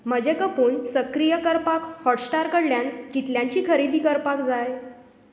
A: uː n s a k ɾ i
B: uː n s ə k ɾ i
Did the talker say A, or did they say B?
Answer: B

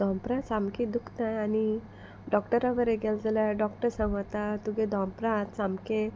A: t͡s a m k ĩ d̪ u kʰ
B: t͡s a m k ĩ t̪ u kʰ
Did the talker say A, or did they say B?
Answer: A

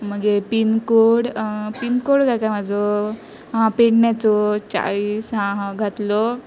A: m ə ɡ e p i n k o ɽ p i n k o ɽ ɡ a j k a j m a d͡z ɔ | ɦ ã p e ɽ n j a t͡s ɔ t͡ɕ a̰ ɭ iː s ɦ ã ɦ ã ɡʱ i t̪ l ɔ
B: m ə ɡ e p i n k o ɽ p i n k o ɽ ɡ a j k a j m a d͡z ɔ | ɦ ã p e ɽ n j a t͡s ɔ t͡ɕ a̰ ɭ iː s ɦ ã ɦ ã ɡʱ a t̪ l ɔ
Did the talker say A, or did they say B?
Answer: B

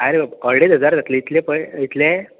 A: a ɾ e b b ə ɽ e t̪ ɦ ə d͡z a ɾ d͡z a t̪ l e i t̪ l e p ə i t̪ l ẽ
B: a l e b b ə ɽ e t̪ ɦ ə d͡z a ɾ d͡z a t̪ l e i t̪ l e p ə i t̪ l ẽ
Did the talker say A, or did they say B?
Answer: A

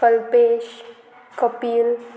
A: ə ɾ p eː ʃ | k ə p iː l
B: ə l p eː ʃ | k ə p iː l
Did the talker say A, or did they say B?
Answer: B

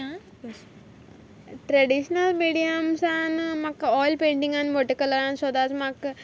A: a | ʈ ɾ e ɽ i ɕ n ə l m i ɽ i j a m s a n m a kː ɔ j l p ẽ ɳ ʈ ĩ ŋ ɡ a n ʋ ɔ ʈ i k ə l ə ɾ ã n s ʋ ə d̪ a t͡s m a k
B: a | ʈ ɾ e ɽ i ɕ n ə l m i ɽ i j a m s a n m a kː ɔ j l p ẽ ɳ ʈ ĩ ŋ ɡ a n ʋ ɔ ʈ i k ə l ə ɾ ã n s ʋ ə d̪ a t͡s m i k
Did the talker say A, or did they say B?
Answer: A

